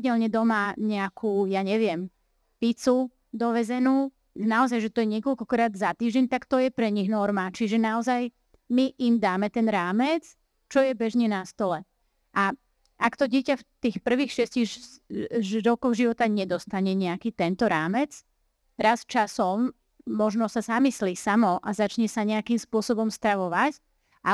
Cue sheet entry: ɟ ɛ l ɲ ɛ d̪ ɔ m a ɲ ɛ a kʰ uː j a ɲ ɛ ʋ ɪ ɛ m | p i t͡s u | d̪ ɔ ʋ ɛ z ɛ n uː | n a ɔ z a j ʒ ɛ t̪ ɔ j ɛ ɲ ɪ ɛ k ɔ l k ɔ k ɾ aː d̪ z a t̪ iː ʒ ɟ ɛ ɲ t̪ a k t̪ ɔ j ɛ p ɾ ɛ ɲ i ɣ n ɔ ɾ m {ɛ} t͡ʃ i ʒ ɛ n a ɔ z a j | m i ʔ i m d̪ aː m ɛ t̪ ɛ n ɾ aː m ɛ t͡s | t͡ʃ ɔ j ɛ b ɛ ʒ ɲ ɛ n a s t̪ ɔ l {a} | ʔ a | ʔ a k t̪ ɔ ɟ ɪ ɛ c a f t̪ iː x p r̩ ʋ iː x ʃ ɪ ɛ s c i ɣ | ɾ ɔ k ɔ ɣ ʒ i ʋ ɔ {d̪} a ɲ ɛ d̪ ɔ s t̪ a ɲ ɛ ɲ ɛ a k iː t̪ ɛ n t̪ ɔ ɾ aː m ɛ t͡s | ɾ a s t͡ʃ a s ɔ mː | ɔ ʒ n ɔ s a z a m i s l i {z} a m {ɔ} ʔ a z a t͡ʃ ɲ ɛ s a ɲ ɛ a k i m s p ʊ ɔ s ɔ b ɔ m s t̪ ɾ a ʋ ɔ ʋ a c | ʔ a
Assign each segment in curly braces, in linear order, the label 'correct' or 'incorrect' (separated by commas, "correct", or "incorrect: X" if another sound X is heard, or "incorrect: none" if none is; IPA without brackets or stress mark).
incorrect: a, incorrect: ɛ, incorrect: t̪, incorrect: s, correct